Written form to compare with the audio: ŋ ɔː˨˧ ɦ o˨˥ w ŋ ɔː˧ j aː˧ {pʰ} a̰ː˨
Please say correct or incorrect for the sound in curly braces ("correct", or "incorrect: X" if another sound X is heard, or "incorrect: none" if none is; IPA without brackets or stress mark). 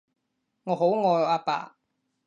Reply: incorrect: p